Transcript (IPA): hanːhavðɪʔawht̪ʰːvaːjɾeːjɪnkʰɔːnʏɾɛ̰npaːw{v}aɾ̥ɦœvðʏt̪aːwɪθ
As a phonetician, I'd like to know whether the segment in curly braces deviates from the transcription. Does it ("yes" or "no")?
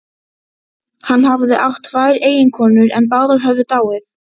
yes